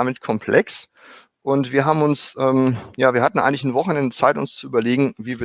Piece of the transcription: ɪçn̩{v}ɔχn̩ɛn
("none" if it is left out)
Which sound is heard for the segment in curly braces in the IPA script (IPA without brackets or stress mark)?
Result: v